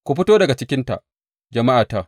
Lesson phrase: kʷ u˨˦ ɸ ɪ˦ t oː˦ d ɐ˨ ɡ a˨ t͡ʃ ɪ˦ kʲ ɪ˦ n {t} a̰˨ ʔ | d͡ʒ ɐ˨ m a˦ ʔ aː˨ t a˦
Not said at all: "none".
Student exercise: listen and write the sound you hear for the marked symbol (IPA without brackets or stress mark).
t